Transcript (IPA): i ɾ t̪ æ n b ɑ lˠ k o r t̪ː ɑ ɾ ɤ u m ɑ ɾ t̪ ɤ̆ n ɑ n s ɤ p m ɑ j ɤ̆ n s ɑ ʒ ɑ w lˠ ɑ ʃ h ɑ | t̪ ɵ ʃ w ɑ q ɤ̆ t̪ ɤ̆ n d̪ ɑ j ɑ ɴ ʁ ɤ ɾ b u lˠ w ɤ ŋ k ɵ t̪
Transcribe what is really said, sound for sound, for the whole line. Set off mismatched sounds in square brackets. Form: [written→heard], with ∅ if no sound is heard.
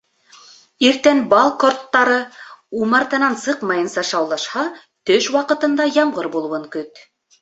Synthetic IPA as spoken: i ɾ t̪ æ n b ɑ lˠ k o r t̪ː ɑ ɾ ɤ u m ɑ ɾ t̪ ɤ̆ n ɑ n s ɤ [p→q] m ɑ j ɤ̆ n s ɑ [ʒ→ʃ] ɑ w lˠ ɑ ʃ h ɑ | t̪ ɵ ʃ w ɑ q ɤ̆ t̪ ɤ̆ n d̪ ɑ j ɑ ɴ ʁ ɤ ɾ b u lˠ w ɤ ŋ k ɵ t̪